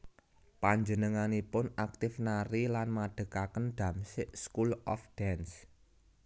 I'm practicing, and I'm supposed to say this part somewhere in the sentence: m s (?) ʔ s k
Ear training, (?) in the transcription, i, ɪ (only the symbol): ɪ